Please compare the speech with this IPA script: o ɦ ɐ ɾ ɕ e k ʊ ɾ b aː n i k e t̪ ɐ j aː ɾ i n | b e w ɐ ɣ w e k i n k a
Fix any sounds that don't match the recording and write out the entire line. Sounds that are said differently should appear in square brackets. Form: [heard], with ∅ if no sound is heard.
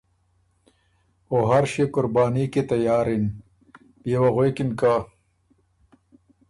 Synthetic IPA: o ɦ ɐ ɾ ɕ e k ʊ ɾ b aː n i k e t̪ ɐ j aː ɾ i n | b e w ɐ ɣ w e k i n k a

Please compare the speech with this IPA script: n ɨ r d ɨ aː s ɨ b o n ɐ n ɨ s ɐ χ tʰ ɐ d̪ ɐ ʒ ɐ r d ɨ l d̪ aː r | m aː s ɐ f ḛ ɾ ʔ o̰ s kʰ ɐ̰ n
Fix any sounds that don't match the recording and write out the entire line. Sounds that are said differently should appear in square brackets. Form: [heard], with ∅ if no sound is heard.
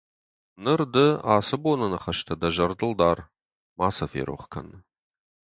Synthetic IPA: n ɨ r d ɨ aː s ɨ b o n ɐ n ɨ [χ] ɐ [ʃ] tʰ ɐ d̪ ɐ ʒ ɐ r d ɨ l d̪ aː r | m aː s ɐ f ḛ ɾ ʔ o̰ [χ] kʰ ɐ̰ n

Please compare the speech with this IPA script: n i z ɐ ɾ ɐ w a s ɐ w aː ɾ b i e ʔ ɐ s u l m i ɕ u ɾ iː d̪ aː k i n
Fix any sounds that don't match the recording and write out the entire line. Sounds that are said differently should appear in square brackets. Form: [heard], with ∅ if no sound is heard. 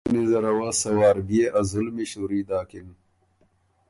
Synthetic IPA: n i z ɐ ɾ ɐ w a s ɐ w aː ɾ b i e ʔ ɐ [z] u l m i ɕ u ɾ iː d̪ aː k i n

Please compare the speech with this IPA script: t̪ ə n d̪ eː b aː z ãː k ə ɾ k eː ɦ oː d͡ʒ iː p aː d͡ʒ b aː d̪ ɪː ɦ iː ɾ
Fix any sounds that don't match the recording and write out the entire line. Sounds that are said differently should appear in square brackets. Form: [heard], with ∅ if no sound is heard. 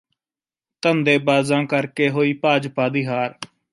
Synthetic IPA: t̪ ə n d̪ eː b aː z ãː k ə ɾ k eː ɦ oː [∅] iː p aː d͡ʒ [p] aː d̪ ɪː ɦ [aː] ɾ

